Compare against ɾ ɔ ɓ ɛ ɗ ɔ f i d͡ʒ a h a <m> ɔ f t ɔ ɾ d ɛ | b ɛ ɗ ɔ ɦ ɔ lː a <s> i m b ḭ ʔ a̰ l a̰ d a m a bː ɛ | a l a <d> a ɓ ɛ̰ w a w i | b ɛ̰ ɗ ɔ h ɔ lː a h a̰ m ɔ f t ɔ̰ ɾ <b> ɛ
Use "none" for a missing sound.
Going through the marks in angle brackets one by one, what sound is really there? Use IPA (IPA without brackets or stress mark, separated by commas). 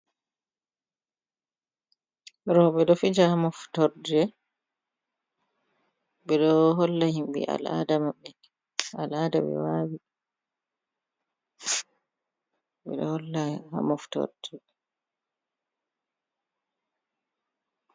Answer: m, h, d, d